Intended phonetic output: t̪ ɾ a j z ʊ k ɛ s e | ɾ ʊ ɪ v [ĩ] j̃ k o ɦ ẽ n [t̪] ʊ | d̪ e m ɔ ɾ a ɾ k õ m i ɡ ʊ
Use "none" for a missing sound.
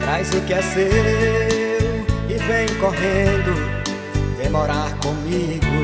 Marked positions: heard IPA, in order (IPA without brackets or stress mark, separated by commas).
ẽ, d̪